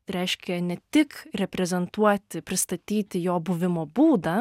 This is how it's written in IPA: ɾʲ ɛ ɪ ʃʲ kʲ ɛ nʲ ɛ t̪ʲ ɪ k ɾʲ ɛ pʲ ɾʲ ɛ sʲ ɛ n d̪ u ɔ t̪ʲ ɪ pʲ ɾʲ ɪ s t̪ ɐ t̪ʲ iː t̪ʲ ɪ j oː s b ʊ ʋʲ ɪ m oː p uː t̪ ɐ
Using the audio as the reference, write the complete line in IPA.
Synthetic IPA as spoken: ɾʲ ɛ ɪ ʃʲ kʲ ɛ nʲ ɛ t̪ʲ ɪ k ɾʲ ɛ pʲ ɾʲ ɛ zʲ ɛ n t̪ u ɔ t̪ʲ ɪ pʲ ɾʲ ɪ s t̪ ɐ t̪ʲ iː t̪ʲ ɪ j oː b ʊ ʋʲ ɪ m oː b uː d̪ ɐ